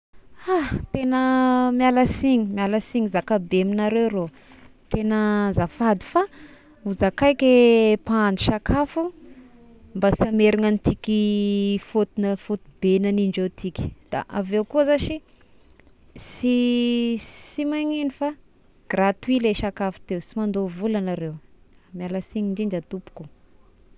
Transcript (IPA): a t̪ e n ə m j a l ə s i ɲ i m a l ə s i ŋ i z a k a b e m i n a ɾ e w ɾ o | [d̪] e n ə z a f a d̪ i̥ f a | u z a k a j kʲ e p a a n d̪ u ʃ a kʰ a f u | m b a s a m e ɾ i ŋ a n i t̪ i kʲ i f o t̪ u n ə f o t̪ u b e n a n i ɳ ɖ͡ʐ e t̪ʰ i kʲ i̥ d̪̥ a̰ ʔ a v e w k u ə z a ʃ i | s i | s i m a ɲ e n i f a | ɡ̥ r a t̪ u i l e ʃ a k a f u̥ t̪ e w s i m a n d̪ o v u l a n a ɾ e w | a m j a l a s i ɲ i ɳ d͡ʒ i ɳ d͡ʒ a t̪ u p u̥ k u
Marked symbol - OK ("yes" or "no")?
no